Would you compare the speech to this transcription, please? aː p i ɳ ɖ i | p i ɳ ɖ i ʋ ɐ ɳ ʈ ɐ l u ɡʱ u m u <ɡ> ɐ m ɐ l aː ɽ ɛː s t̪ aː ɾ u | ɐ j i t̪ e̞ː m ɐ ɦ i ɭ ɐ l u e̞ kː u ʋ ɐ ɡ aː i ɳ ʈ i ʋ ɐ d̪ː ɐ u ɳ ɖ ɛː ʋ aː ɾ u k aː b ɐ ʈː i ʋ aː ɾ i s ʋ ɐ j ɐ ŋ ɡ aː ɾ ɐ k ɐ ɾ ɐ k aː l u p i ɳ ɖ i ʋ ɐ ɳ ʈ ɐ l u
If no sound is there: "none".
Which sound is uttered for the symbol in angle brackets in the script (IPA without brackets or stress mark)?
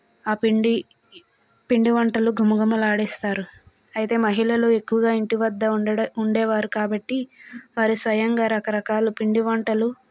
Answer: ɡ